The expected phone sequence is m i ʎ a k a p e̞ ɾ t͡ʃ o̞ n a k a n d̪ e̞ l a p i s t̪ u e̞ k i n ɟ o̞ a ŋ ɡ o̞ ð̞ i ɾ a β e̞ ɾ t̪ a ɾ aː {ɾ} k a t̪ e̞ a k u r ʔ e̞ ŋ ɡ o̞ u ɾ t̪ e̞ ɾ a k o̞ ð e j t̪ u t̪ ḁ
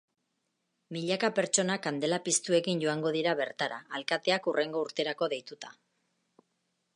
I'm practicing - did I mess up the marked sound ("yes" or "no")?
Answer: yes